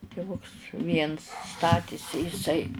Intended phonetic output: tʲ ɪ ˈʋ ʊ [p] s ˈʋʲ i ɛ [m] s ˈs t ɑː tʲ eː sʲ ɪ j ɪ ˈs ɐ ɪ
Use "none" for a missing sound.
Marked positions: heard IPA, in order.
k, n

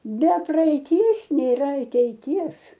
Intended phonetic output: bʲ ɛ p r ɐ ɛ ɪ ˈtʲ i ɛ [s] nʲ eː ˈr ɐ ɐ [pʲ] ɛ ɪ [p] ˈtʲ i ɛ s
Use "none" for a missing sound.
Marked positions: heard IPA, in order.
s, tʲ, none

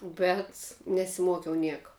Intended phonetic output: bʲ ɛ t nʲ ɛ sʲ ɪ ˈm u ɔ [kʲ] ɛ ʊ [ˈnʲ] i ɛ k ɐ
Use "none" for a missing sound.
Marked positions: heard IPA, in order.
kʲ, nʲ

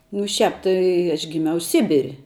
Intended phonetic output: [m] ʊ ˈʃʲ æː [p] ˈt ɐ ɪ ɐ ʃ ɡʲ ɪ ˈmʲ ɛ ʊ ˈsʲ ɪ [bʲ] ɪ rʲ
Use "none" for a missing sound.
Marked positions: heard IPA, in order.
n, p, bʲ

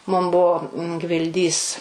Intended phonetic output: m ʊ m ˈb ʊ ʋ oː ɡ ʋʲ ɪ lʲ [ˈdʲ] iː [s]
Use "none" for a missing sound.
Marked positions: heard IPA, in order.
dʲ, s

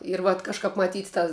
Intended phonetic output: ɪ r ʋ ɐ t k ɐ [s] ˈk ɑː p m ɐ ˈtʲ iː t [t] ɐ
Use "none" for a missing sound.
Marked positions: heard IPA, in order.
ʃ, t

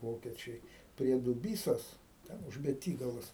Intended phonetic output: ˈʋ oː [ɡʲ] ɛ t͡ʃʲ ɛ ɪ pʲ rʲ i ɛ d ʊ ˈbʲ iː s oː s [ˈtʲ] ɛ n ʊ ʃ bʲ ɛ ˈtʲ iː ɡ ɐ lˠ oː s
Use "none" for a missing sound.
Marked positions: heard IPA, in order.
kʲ, tʲ

